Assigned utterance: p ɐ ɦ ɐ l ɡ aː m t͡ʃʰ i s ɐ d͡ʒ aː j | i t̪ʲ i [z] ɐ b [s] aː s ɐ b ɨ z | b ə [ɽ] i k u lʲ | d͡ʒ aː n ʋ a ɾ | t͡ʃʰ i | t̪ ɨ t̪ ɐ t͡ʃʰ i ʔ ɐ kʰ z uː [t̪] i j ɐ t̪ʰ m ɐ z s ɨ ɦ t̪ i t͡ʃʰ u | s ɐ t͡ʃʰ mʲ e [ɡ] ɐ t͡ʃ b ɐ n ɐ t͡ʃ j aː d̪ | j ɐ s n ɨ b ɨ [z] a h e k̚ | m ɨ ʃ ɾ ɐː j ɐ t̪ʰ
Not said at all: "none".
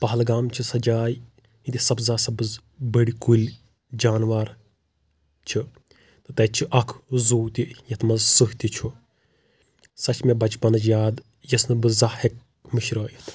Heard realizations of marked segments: s, z, ɽ, t̪, b, z

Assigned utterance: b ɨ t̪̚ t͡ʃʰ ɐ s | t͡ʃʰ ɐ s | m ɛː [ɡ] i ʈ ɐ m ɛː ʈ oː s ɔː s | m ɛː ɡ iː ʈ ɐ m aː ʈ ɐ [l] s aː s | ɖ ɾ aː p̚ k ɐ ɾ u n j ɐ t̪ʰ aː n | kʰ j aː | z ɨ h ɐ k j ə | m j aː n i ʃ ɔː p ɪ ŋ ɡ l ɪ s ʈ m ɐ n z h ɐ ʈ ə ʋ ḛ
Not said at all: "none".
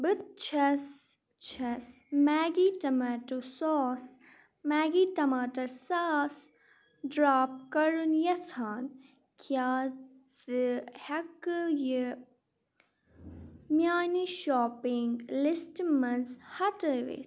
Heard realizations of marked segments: ɡ, ɾ

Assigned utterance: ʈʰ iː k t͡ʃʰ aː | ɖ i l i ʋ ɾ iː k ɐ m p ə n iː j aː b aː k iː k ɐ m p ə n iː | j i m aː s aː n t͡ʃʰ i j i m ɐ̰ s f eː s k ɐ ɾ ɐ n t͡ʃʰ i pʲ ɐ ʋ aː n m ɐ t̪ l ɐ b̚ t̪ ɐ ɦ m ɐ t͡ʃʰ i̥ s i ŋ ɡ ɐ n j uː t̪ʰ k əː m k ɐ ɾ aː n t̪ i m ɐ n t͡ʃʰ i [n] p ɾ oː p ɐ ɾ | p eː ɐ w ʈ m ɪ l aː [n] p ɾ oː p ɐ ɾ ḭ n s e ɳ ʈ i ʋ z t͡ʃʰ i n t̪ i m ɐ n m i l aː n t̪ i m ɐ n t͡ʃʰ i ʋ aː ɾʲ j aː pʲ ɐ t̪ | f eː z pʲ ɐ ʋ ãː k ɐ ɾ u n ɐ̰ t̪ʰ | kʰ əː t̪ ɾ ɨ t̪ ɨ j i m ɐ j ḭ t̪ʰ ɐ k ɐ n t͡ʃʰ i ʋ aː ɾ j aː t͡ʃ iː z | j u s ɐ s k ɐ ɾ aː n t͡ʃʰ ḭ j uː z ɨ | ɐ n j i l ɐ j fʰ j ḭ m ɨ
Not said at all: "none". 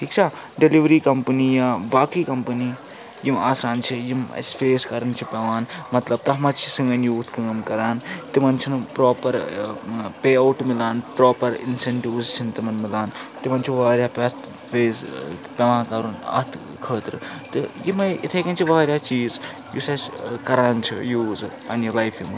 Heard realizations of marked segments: n, n

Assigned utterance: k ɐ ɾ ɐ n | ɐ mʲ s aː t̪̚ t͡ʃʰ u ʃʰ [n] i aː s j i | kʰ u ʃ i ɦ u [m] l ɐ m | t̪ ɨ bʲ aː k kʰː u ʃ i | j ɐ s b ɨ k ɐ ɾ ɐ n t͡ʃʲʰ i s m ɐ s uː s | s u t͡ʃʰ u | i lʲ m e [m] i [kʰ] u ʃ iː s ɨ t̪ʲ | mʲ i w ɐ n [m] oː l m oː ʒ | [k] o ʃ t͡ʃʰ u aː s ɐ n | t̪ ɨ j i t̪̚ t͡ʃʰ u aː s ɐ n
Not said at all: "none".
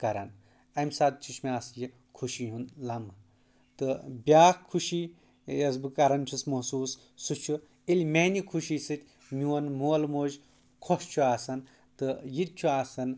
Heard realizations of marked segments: m, n, n, kʰ, m, kʰ

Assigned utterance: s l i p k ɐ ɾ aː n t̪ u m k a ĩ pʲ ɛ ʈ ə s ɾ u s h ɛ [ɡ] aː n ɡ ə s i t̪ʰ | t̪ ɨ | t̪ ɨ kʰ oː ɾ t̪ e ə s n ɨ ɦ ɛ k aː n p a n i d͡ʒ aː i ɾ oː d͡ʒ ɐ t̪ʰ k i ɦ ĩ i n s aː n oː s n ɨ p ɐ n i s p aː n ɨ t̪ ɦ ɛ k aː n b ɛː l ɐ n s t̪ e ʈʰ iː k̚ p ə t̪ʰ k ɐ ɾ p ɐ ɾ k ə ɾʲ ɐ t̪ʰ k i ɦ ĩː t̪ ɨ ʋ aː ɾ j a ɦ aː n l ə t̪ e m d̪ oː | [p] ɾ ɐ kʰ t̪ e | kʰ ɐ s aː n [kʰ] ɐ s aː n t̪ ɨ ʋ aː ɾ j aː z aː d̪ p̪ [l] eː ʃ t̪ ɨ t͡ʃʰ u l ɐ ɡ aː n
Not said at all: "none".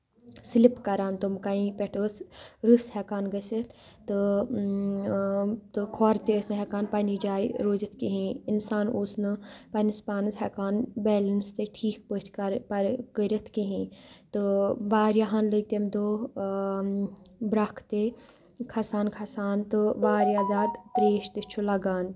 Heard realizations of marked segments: k, b, kʰ, ɾ

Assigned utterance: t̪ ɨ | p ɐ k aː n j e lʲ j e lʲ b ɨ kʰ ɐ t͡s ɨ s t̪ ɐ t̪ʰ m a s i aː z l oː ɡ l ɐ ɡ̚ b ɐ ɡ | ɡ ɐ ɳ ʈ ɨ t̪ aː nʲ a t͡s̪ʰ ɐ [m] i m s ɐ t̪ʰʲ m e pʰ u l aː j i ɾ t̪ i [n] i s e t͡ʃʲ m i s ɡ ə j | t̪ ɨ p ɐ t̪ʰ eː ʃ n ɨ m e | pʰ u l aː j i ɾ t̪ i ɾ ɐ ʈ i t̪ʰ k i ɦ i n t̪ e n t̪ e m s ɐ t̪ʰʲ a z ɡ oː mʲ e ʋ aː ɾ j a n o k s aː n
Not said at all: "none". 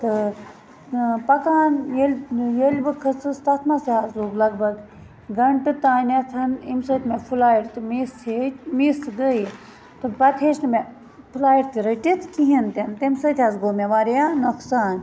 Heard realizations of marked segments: n, m

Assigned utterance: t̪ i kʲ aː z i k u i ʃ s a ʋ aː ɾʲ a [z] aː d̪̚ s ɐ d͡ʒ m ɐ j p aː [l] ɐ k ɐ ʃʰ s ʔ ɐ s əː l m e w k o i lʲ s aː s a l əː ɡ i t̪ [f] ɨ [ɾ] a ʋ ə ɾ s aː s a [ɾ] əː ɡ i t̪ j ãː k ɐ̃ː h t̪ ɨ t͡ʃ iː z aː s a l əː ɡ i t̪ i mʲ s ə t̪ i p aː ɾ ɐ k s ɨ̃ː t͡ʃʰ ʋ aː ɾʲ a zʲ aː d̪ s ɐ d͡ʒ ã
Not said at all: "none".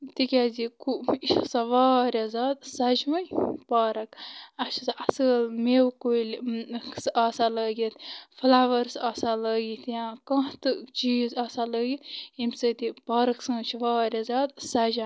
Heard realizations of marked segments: z, ɾ, f, l, l

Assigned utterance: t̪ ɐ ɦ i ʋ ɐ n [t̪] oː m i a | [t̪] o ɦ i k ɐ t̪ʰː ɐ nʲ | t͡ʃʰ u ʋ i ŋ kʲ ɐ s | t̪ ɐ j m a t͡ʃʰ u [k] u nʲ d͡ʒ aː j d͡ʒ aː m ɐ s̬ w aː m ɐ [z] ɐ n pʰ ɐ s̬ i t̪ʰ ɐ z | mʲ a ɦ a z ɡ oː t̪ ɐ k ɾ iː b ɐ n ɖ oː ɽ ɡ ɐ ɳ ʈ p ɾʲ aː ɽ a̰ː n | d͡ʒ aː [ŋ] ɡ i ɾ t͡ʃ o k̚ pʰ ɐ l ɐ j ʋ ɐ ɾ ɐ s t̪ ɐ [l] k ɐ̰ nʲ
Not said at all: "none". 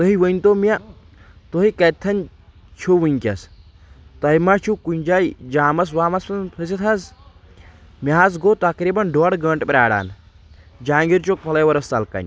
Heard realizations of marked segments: t̪, t̪, k, s, ŋ, l

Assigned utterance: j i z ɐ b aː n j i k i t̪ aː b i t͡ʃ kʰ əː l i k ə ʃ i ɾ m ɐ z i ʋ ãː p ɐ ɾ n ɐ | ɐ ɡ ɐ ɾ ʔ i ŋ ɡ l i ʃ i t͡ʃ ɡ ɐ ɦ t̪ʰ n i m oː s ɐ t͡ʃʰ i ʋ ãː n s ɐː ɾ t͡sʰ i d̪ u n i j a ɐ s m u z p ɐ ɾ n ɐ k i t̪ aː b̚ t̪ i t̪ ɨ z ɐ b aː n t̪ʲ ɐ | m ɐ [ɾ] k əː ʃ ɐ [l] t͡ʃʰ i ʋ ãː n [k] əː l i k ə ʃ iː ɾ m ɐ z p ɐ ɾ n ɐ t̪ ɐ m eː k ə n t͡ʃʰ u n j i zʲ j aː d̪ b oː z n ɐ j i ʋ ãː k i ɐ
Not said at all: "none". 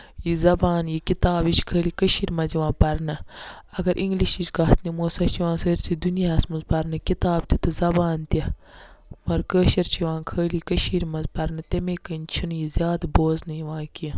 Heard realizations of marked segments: ɾ, ɾ, kʰ

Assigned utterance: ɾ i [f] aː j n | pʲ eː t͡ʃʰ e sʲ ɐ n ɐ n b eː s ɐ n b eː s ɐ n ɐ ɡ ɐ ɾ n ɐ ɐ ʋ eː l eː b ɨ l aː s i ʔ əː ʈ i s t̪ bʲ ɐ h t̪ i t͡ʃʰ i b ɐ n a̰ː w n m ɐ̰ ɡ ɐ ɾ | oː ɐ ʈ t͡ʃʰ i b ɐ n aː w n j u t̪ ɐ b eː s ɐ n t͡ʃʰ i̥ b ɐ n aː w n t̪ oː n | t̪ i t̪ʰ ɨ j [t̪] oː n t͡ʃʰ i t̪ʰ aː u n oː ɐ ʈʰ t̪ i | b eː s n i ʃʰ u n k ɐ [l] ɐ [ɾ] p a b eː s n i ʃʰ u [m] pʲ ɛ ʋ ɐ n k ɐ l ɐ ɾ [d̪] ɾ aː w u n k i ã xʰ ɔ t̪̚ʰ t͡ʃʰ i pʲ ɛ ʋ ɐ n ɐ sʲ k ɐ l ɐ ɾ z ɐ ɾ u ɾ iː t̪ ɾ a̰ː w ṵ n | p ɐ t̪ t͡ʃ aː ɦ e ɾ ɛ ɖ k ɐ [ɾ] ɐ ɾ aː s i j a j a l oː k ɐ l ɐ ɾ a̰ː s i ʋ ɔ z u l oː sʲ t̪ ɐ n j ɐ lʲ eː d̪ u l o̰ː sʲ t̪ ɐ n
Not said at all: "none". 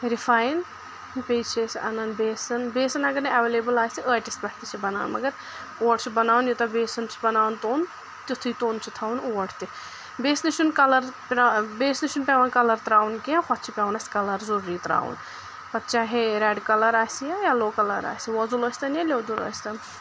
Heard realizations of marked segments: f, t̪, l, ɾ, n, t̪, l

